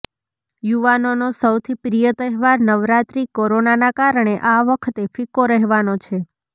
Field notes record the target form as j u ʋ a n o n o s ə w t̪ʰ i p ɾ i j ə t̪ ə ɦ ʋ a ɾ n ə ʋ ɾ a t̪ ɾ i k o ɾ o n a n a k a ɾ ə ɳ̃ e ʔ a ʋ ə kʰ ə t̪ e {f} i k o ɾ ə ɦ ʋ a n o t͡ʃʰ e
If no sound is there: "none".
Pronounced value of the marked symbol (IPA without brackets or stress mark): f